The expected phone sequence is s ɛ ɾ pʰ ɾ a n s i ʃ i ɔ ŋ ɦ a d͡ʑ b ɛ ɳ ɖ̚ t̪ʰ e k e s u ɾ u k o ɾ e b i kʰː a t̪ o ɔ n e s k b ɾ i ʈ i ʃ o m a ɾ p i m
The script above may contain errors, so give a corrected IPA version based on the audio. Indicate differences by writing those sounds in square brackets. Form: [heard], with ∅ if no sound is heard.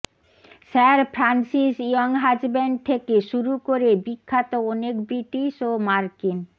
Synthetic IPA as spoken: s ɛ ɾ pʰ ɾ a n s i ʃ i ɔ ŋ ɦ a d͡ʑ b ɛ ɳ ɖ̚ t̪ʰ e k e [ʃ] u ɾ u k o ɾ e b i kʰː a t̪ o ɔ n e [∅] k b ɾ i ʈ i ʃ o m a ɾ [k] i [n]